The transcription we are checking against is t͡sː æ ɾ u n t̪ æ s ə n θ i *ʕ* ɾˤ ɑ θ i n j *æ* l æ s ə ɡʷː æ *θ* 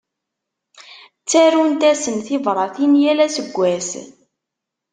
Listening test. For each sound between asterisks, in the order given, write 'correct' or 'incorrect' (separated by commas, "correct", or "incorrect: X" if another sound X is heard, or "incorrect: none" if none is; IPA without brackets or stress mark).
incorrect: v, correct, incorrect: s